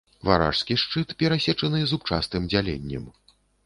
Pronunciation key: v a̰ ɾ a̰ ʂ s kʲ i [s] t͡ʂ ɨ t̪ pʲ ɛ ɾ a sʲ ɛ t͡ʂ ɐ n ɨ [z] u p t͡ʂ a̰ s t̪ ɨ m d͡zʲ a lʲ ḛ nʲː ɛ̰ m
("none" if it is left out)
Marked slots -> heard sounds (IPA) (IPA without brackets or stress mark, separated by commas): ʂ, z